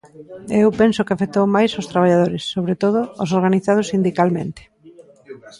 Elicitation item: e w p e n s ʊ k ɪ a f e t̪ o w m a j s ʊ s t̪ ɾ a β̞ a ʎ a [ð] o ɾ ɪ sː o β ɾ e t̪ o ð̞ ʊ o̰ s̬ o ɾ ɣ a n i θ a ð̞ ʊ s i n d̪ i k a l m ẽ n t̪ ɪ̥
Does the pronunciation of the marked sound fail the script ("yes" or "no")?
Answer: no